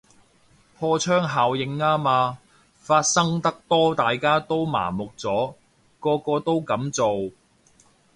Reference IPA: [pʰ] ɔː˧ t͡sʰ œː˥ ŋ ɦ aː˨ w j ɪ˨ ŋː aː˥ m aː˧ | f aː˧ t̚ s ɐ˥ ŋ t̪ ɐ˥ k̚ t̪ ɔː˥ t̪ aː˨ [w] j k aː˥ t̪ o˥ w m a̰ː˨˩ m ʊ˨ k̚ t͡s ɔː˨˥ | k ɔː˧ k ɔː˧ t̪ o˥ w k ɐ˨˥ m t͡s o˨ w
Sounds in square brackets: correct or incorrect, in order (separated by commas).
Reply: correct, incorrect